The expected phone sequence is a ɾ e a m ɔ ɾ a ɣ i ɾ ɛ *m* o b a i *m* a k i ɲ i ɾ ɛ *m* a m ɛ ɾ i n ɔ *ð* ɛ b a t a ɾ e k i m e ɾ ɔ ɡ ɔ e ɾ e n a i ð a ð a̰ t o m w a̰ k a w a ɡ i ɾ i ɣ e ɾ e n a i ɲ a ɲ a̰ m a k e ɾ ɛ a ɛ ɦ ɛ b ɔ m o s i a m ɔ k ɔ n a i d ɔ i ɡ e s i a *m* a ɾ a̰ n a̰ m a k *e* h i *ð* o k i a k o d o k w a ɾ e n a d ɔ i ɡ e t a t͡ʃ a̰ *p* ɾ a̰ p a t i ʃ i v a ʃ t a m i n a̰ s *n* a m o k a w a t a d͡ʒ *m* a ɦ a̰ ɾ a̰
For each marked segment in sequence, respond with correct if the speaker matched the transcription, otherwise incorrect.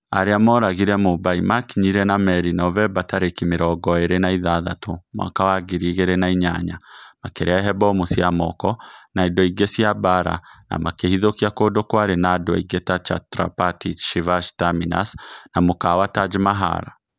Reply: correct, correct, incorrect: n, incorrect: v, incorrect: b, correct, correct, incorrect: t, correct, correct

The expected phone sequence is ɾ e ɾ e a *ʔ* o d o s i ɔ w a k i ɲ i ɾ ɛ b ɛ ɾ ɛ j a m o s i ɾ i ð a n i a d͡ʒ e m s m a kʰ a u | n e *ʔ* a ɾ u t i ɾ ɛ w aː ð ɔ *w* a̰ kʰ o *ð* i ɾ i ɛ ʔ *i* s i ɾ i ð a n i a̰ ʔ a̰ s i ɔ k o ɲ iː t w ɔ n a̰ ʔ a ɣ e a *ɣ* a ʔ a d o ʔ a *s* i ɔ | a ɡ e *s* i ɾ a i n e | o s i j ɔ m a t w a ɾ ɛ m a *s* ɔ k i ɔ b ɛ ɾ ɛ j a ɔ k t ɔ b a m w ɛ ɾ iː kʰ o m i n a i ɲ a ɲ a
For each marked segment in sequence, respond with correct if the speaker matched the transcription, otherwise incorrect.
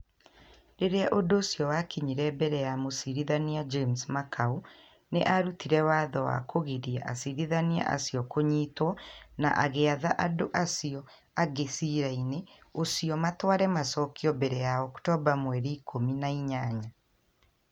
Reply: correct, correct, correct, incorrect: ɣ, incorrect: a, incorrect: ð, correct, correct, correct

